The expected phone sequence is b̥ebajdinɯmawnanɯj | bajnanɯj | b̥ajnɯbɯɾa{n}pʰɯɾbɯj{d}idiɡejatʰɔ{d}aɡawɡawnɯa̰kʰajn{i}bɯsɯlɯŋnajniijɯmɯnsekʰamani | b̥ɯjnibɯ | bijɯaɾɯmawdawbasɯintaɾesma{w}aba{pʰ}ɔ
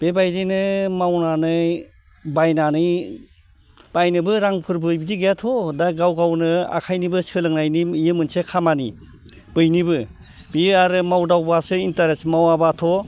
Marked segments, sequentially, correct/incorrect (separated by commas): incorrect, incorrect, correct, correct, correct, incorrect